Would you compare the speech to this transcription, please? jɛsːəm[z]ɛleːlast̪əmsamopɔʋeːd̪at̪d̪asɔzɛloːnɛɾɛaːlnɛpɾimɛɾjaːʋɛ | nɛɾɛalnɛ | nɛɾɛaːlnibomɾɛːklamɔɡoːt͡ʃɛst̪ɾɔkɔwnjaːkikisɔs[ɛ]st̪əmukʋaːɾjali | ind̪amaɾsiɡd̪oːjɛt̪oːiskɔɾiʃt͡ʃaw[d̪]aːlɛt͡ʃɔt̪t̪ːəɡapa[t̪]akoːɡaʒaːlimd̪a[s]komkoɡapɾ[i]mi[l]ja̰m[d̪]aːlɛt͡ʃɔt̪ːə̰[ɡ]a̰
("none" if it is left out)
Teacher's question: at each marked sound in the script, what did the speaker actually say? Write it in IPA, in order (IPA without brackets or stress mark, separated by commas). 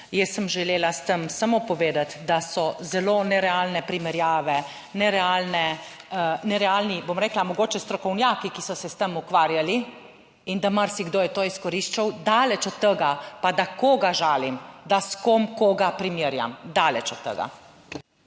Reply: ʒ, ɛ, d̪, d̪, s, i, ɾ, d̪, ɡ